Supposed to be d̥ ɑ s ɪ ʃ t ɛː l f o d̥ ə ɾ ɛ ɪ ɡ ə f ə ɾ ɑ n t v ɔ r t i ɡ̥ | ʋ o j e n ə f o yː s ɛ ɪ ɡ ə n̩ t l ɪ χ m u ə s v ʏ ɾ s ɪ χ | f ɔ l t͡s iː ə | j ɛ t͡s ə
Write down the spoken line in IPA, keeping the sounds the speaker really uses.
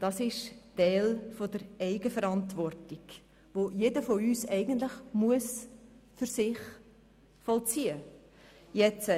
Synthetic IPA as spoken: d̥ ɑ s ɪ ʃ t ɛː l f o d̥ ə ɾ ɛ ɪ ɡ ə f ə ɾ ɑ n t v ɔ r t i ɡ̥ | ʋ o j e d ə f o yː s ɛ ɪ ɡ ə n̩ t l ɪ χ m u ə s f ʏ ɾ s ɪ χ | f ɔ l t͡s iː ə | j ɛ t͡s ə